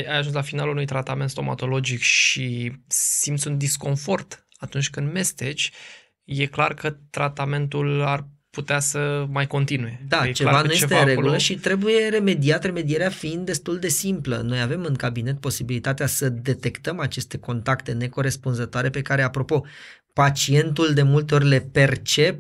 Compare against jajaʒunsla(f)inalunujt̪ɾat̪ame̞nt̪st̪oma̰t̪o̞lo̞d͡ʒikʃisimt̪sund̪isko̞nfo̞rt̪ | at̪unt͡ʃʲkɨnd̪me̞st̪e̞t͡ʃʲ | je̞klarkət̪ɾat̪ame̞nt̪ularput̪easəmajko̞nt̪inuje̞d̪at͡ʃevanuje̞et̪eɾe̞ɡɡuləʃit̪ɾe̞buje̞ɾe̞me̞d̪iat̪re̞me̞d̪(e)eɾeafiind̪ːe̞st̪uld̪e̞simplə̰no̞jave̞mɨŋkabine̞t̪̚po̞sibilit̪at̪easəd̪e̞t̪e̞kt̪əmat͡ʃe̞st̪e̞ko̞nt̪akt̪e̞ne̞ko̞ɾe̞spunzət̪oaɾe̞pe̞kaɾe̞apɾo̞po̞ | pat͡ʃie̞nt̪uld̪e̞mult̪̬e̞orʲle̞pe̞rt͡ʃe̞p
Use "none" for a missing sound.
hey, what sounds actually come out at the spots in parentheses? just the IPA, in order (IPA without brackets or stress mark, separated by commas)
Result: f, i